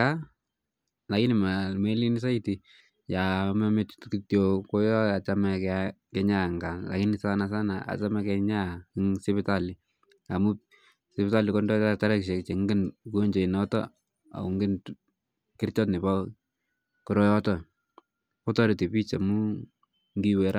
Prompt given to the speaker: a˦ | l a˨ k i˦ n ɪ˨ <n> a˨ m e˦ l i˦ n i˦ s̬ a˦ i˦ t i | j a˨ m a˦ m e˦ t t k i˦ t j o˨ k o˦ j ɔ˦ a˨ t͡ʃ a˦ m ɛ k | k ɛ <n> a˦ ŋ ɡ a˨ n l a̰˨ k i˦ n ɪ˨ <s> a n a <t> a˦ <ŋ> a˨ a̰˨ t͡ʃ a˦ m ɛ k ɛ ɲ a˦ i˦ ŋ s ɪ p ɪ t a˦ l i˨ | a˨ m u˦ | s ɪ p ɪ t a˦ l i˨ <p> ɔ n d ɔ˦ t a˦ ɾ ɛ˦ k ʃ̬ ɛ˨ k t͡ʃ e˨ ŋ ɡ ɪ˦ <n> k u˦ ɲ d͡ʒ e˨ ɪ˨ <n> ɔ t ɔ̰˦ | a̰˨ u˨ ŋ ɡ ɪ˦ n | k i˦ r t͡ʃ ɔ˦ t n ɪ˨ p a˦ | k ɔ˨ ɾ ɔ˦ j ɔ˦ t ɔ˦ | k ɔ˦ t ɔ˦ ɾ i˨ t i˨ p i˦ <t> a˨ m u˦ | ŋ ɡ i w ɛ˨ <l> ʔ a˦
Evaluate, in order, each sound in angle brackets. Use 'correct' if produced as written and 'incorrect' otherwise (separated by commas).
incorrect, incorrect, correct, incorrect, incorrect, incorrect, correct, correct, incorrect, incorrect